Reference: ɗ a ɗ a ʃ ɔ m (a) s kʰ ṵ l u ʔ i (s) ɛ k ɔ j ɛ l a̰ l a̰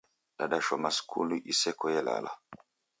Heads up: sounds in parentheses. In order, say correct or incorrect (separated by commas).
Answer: correct, correct